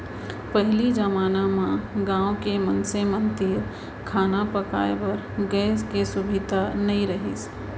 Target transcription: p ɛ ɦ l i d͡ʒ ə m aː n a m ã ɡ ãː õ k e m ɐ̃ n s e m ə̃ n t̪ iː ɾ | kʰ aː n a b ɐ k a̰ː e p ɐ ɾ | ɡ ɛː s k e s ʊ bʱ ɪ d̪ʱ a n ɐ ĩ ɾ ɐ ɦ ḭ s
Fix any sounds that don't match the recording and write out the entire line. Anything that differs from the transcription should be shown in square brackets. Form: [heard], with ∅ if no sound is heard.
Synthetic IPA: p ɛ ɦ l i d͡ʒ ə m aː n a m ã ɡ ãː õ k e m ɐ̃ n s e m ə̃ n t̪ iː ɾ | kʰ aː n a [p] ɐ k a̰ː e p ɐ ɾ | ɡ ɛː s k e s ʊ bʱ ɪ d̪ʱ a n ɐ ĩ ɾ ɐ ɦ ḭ s